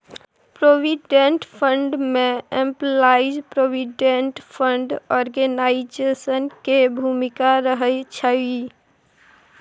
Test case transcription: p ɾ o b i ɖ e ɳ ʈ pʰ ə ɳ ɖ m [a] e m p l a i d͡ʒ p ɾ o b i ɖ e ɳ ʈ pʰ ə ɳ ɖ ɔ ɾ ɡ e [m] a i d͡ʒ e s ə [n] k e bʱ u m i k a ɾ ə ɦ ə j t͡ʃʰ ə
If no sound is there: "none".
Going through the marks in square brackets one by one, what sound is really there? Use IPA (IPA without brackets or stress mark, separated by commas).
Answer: e, n, n